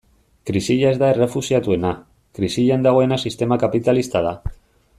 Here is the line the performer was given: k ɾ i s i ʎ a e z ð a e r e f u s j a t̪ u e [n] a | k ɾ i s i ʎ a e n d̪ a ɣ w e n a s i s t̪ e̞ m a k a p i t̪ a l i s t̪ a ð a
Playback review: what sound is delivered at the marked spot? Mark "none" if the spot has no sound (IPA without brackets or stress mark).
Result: n